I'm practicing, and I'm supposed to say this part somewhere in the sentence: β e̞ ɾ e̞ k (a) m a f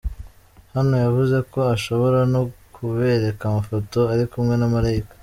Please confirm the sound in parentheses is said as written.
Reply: yes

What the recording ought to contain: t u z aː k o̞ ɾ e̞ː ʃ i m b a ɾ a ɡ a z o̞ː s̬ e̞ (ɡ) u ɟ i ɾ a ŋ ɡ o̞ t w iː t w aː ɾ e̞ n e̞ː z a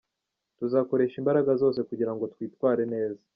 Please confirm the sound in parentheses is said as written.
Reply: no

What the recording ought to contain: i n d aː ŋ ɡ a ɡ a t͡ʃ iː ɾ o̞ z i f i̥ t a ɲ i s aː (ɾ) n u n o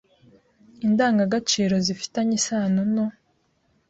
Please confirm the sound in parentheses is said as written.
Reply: no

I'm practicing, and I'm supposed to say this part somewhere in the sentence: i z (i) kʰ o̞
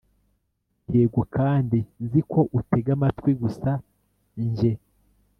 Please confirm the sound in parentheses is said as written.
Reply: yes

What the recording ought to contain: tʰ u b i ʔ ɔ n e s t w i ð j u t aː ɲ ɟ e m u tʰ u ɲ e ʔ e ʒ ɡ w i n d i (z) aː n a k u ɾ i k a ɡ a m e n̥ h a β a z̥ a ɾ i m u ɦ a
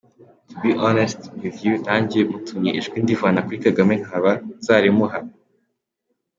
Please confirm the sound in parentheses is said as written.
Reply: no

